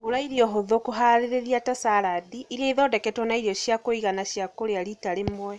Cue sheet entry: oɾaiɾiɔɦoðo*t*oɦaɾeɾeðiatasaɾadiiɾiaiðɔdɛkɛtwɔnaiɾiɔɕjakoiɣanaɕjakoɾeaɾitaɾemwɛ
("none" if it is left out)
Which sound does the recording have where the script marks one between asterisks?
k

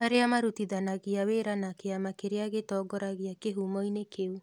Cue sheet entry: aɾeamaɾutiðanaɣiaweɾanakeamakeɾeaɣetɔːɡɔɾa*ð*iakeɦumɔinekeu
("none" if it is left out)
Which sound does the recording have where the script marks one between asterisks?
ɣ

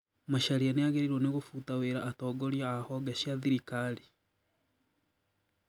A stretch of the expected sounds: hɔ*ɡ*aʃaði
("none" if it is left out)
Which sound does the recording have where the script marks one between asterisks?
ɡ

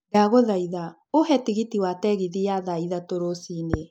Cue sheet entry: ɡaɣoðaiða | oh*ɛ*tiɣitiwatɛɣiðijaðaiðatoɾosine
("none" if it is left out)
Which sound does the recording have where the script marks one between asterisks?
ɛ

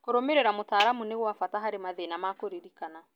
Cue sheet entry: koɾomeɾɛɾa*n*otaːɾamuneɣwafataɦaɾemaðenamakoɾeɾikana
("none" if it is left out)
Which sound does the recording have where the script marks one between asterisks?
m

